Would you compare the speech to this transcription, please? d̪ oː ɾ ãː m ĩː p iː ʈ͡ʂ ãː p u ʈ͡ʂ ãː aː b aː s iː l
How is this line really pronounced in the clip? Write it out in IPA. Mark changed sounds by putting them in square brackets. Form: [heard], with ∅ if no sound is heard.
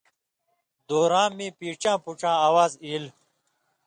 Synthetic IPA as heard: d̪ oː ɾ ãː m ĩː p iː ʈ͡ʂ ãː p u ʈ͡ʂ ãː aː [w] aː [z] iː l